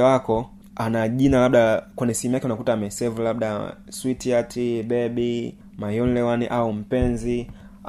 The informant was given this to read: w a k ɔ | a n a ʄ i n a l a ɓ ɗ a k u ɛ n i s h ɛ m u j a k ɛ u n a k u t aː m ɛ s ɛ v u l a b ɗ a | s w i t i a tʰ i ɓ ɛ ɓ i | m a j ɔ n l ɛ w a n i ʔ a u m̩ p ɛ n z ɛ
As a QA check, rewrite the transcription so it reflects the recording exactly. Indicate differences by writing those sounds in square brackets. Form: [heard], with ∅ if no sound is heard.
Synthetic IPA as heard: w a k ɔ | a n a ʄ i n a l a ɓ ɗ a k [w] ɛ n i s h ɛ m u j a k ɛ u n a k u t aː m ɛ s ɛ v u l a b ɗ a | s w i t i a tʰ i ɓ ɛ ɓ i | m a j ɔ n l ɛ w a n i ʔ a u m̩ p ɛ n z [i]